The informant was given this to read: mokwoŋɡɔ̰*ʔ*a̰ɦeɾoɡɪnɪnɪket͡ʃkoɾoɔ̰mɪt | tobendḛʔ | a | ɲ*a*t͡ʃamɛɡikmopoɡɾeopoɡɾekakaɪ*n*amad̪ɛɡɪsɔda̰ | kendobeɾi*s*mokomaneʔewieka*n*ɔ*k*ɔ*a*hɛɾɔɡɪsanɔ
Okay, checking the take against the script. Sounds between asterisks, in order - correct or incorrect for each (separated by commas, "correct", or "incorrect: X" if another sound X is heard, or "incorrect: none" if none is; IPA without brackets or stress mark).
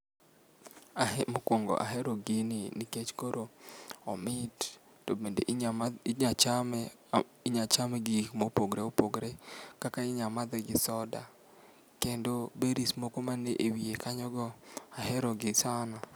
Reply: correct, correct, incorrect: ɲ, correct, incorrect: ɲ, incorrect: ɡ, correct